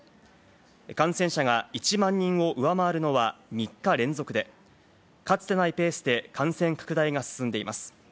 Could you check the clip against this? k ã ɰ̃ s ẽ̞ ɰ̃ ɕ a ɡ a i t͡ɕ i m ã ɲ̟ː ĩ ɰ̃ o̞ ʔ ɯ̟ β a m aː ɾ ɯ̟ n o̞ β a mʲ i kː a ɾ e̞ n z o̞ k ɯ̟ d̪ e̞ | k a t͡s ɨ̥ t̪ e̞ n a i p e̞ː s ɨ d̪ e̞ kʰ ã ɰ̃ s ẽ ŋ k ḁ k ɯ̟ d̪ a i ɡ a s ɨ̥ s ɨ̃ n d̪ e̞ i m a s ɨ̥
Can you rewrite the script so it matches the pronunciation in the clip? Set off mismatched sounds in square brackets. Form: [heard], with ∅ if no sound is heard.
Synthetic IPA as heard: k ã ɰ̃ s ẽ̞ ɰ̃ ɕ a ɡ a i t͡ɕ i m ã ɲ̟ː ĩ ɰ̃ o̞ ʔ ɯ̟ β a m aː ɾ ɯ̟ n o̞ β a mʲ i kː a ɾ [ẽ̞] n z o̞ k ɯ̟ d̪ e̞ | k a t͡s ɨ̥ t̪ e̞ n a i p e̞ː s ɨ d̪ e̞ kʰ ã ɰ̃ s ẽ ŋ k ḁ k ɯ̟ d̪ a i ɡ a s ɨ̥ s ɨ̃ n d̪ e̞ i m a s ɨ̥